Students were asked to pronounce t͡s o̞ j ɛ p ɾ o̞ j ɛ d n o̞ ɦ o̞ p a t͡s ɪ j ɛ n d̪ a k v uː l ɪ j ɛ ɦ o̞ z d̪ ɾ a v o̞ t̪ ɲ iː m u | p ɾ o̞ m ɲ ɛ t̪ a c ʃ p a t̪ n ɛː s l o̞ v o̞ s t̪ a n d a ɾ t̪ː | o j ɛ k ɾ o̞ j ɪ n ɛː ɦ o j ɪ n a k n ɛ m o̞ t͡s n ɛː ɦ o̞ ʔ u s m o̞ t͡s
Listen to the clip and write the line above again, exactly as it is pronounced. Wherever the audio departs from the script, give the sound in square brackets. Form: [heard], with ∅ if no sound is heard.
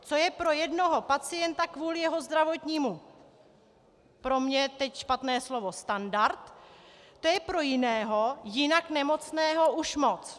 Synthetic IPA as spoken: t͡s o̞ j ɛ p ɾ o̞ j ɛ d n o̞ ɦ o̞ p a t͡s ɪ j ɛ n [t̪] a k v uː l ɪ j ɛ ɦ o̞ z d̪ ɾ a v o̞ t̪ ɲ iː m u | p ɾ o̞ m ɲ ɛ t̪ [ɛ] c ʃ p a t̪ n ɛː s l o̞ v o̞ s t̪ a n d a ɾ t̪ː | o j ɛ [p] ɾ o̞ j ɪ n ɛː ɦ o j ɪ n a k n ɛ m o̞ t͡s n ɛː ɦ o̞ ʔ u [ʃ] m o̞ t͡s

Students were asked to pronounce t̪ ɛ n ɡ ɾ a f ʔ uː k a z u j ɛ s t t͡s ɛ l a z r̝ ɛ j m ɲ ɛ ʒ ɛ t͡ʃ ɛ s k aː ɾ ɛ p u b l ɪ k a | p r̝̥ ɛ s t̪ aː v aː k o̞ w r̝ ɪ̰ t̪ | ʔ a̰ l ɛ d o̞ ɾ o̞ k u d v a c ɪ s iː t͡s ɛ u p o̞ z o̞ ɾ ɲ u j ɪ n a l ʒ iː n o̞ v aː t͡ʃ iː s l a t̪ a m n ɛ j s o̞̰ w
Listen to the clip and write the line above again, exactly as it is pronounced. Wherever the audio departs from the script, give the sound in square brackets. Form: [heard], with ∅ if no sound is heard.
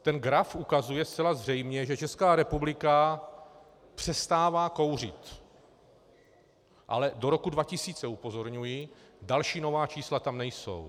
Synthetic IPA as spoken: t̪ ɛ n ɡ ɾ a f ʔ [u] k a z u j ɛ s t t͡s ɛ l a z r̝ ɛ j m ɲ ɛ ʒ ɛ t͡ʃ ɛ s k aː ɾ ɛ p u b l ɪ k a | p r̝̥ ɛ s t̪ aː v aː k o̞ w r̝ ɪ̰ t̪ | ʔ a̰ l ɛ d o̞ ɾ o̞ k u d v a c ɪ s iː t͡s ɛ u p o̞ z o̞ ɾ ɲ u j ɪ [d] a l [ʃ] iː n o̞ v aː t͡ʃ iː s l a t̪ a m n ɛ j s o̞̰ w

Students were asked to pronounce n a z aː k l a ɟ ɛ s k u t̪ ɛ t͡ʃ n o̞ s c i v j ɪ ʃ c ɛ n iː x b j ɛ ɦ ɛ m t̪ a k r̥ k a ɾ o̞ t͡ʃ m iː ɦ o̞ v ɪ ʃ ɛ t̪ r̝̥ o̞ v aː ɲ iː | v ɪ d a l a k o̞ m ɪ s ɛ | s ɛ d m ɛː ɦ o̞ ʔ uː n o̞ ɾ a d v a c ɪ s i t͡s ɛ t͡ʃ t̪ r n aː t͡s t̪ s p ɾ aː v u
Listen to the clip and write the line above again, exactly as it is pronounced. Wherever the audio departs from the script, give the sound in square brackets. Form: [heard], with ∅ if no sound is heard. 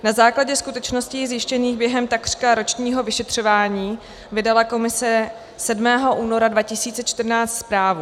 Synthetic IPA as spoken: n a z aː k l a ɟ ɛ s k u t̪ ɛ t͡ʃ n o̞ s c i [z] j ɪ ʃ c ɛ n iː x b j ɛ ɦ ɛ m t̪ a k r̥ k a ɾ o̞ t͡ʃ [ɲ] iː ɦ o̞ v ɪ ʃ ɛ t̪ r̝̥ o̞ v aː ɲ iː | v ɪ d a l a k o̞ m ɪ s ɛ | s ɛ d m ɛː ɦ o̞ ʔ uː n o̞ ɾ a d v a c ɪ s [iː] t͡s ɛ t͡ʃ t̪ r n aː t͡s t̪ s p ɾ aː v u

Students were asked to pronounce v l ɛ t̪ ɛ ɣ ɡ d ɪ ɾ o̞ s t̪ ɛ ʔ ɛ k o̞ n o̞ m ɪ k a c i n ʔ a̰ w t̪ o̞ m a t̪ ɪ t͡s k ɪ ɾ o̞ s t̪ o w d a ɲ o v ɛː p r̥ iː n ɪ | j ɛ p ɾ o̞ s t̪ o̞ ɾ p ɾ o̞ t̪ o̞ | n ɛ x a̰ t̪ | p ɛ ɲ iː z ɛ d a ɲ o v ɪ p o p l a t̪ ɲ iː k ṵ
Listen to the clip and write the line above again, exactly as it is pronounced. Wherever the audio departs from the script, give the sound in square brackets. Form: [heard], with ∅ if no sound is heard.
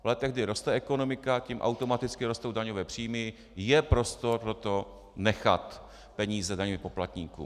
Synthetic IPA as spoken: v l ɛ t̪ ɛ ɣ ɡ d ɪ ɾ o̞ s t̪ ɛ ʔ ɛ k o̞ n o̞ m ɪ k a c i [m] ʔ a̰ w t̪ o̞ m a t̪ ɪ t͡s k ɪ ɾ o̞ s t̪ o w d a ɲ o v ɛː p r̥ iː [m] ɪ | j ɛ p ɾ o̞ s t̪ o̞ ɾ p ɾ o̞ t̪ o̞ | n ɛ x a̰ t̪ | p ɛ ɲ iː z ɛ d a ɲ o v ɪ p o p l a t̪ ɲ iː k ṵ

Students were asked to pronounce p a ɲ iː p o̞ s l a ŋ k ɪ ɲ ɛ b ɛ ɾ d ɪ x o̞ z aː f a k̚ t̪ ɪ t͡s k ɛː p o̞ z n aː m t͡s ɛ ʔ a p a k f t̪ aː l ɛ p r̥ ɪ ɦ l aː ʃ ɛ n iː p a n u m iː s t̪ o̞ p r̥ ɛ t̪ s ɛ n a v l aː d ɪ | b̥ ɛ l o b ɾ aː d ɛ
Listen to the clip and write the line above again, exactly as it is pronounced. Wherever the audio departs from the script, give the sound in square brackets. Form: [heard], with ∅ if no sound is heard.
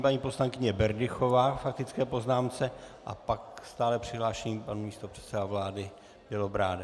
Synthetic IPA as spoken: p a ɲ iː p o̞ s l a ŋ k ɪ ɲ ɛ b ɛ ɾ d ɪ x o̞ [v] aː f a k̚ t̪ ɪ t͡s k ɛː p o̞ z n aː m t͡s ɛ ʔ a p a k [s] t̪ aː l ɛ p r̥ ɪ ɦ l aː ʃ ɛ [ɲ] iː p a n u m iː s t̪ o̞ p r̥ ɛ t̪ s ɛ [d] a v l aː d ɪ | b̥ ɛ l o b ɾ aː d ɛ

